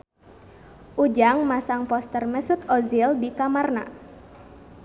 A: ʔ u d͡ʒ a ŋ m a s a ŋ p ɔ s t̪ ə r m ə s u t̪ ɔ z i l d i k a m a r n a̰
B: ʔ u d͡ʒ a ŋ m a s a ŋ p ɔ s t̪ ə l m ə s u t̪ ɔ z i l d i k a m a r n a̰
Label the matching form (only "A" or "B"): A